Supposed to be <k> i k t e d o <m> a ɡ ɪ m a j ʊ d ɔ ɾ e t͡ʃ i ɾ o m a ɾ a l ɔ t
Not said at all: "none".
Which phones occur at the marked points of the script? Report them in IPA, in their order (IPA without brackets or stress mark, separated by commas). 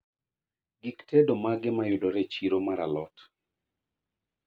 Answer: ɡ, m